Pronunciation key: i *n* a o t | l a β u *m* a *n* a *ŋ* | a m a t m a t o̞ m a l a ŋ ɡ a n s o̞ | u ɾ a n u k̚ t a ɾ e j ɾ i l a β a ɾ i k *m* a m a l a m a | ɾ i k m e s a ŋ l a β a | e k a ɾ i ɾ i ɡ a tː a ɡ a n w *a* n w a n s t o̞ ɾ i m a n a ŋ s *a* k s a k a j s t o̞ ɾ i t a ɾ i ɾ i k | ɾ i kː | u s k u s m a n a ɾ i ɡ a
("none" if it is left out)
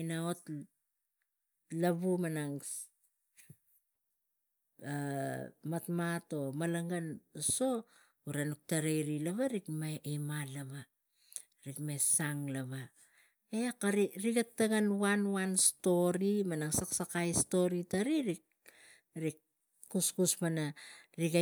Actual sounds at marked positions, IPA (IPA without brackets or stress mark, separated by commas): n, m, n, ŋ, m, a, a